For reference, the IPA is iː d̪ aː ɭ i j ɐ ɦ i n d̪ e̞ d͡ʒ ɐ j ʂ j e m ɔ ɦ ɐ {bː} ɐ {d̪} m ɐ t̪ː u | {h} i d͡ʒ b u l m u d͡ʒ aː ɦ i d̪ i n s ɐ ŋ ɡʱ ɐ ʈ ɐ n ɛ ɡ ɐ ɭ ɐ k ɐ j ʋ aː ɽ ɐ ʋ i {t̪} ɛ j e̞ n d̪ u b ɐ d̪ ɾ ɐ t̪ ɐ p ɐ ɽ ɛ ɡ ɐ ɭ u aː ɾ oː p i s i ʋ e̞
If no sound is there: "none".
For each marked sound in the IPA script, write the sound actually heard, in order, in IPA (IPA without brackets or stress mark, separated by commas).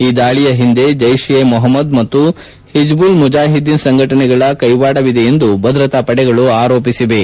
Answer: mː, d̪, h, d̪